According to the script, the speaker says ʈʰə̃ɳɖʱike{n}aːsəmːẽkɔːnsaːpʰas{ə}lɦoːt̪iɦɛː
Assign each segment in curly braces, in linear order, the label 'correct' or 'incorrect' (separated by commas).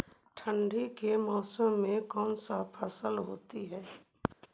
incorrect, correct